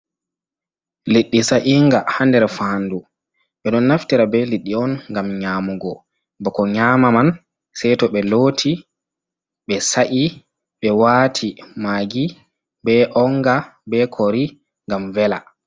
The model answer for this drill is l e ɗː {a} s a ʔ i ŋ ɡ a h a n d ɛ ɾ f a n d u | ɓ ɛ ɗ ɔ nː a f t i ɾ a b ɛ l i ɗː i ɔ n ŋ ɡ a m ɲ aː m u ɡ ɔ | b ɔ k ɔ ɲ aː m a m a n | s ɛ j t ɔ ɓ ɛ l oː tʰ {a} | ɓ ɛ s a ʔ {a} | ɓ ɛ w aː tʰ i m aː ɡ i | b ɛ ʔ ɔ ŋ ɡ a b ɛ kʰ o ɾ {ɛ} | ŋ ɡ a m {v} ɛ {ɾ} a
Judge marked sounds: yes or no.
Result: no, no, no, no, yes, no

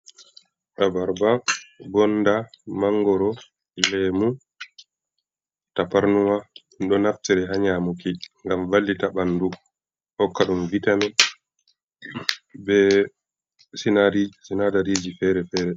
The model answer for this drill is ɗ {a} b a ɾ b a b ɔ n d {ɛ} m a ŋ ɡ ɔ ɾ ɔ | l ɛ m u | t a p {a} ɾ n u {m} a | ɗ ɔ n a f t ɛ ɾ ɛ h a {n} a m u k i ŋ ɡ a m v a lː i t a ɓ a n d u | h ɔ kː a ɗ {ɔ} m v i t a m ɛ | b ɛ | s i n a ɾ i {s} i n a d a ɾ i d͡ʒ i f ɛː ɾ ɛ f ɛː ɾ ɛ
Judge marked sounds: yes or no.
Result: yes, no, yes, yes, no, no, yes

